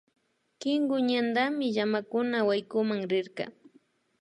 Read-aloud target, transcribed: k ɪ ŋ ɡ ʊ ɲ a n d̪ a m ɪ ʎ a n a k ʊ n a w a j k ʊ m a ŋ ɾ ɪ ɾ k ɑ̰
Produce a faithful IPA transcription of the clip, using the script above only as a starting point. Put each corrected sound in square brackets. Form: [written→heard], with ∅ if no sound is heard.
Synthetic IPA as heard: k ɪ ŋ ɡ ʊ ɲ a n d̪ a m ɪ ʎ a [n→m] a k ʊ n a w a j k ʊ m a ŋ ɾ ɪ ɾ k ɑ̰